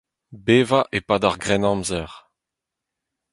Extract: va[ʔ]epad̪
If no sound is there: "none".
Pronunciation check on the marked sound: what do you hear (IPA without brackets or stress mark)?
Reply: ʔ